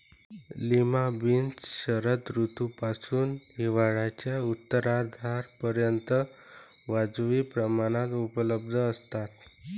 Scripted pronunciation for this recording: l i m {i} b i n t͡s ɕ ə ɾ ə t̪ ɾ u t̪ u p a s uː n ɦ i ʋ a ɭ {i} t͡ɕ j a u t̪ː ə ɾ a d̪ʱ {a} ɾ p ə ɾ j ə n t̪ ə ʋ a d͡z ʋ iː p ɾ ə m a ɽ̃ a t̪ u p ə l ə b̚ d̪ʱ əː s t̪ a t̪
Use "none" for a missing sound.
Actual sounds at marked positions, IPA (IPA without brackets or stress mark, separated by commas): a, a, a